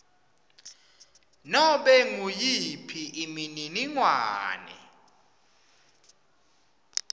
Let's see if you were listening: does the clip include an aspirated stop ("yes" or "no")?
yes